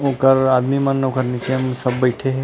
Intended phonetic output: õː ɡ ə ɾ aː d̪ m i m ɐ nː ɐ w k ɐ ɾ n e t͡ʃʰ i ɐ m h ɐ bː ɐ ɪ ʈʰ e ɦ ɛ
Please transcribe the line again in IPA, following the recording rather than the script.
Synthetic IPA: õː k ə ɾ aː d̪ m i m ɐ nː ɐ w k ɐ ɾ n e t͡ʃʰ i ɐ m s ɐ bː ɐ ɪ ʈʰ e ɦ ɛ